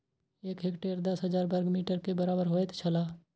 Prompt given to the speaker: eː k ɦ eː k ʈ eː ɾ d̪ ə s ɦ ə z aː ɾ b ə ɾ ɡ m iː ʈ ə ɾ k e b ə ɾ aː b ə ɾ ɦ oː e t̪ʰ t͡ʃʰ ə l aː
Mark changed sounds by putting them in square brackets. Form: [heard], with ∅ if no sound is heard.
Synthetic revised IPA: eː k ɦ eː k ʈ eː ɾ d̪ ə s ɦ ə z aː ɾ b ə ɾ ɡ m iː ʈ ə ɾ k e b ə ɾ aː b ə ɾ ɦ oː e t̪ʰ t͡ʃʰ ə l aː

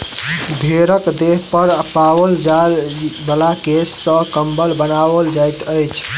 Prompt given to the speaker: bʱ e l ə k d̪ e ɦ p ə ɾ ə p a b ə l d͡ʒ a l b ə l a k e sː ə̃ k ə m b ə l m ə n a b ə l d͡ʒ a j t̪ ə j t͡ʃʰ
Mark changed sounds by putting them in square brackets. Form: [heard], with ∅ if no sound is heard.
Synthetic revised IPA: bʱ e [ɾ] ə k d̪ e ɦ p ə ɾ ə p a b ə l d͡ʒ a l b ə l a k e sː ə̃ k ə m b ə l [b] ə n a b ə l d͡ʒ a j t̪ ə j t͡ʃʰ

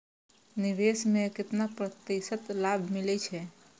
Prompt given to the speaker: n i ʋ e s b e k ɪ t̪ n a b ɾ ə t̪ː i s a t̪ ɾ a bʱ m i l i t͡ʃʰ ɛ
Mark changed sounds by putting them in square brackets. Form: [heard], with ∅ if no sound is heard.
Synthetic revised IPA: n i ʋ e s [m] e k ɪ t̪ n a [p] ɾ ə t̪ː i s [ə] t̪ [l] a bʱ m i l [ɛ] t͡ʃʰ ɛ

